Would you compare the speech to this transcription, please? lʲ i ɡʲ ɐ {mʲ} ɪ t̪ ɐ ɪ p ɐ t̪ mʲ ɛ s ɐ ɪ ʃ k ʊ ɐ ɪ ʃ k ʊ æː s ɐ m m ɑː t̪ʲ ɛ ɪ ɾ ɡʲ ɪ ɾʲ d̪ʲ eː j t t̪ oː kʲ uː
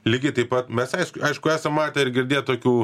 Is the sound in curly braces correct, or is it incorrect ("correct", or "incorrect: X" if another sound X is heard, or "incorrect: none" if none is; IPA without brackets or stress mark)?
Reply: incorrect: none